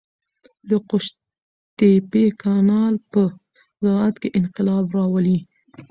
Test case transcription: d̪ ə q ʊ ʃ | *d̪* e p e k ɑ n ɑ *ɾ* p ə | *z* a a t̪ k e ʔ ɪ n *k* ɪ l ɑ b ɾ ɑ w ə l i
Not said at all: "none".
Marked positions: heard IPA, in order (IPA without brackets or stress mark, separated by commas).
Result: t̪, l, z, q